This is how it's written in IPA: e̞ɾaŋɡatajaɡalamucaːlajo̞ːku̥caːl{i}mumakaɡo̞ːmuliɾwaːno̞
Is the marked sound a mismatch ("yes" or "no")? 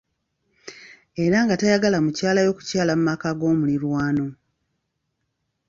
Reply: yes